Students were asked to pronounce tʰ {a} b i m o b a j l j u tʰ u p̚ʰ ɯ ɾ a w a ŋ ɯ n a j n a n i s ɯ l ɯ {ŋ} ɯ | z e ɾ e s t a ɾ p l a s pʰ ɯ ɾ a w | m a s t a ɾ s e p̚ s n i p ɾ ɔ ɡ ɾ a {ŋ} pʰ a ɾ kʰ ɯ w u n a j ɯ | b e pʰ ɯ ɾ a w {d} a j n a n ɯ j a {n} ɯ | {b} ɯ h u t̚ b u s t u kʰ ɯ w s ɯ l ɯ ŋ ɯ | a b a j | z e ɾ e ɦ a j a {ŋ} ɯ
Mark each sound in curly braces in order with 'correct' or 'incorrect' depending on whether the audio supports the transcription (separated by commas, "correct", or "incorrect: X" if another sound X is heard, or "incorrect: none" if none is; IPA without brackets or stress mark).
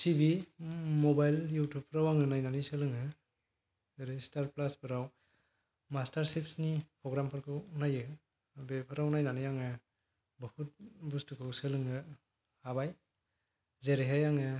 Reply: incorrect: i, correct, incorrect: m, incorrect: n, incorrect: ŋ, correct, correct